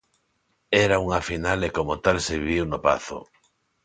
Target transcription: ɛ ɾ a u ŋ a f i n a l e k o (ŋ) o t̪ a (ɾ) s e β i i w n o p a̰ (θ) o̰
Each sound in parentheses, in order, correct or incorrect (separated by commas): incorrect, incorrect, correct